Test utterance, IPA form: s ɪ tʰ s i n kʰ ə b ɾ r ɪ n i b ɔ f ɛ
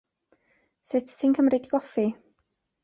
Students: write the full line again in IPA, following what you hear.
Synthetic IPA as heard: s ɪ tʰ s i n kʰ ə m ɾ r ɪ d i ɡ ɔ f i

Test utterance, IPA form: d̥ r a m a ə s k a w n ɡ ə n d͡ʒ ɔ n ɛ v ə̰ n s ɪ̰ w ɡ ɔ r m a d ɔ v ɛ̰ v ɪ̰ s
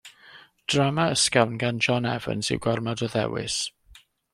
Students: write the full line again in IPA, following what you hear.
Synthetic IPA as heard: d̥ r a m a ə s k a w n ɡ a n d͡ʒ ɔ n ɛ v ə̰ n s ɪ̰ w ɡ ɔ r m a d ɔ ð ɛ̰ w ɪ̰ s

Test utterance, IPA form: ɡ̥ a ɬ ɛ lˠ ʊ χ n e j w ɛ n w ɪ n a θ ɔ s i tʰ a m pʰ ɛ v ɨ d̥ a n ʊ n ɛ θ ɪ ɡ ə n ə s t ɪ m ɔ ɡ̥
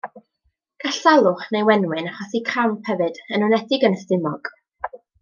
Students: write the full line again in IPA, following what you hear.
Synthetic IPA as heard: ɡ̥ a ɬ a lˠ ʊ χ n e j w ɛ n w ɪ n a χ ɔ s i kʰ a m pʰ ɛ v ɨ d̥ ə n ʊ n ɛ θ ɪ ɡ ə n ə s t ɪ m ɔ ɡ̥

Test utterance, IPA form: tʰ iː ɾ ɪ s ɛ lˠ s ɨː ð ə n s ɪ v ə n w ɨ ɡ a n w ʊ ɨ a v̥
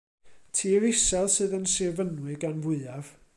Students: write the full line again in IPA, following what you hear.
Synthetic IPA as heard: tʰ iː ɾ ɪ s ɛ lˠ s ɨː ð ə n s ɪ v ə n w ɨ ɡ a n v ʊ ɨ a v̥

